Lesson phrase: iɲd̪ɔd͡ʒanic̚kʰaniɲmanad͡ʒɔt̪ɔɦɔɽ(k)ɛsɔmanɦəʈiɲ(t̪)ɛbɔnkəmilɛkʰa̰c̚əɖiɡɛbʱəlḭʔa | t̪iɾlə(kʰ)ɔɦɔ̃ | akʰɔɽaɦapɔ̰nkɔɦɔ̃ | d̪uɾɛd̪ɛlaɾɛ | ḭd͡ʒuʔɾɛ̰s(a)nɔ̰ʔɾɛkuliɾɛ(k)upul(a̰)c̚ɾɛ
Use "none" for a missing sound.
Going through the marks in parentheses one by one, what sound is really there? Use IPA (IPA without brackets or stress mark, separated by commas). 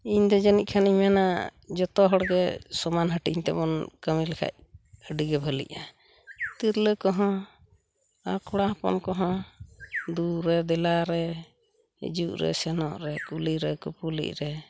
ɡ, t̪, k, ɛ, k, ḭ